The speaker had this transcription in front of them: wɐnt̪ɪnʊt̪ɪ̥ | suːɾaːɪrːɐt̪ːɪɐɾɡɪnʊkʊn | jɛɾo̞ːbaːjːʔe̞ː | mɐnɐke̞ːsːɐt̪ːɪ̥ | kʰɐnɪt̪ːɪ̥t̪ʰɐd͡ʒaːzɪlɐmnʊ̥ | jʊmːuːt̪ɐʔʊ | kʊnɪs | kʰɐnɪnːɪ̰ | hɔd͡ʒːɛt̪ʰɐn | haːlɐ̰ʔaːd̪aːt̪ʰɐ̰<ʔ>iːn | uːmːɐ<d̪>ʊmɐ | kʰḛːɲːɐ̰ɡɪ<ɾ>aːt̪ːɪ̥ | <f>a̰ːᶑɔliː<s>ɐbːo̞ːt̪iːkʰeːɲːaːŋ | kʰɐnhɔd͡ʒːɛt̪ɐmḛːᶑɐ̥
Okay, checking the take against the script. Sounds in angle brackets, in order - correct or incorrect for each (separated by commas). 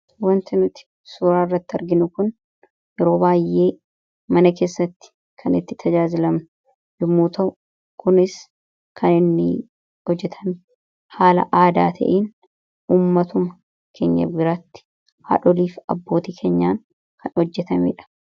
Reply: correct, incorrect, correct, incorrect, incorrect